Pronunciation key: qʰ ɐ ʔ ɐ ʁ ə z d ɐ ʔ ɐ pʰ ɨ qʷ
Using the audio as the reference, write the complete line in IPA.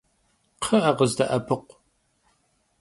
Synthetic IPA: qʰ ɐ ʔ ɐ ʁ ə z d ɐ ʔ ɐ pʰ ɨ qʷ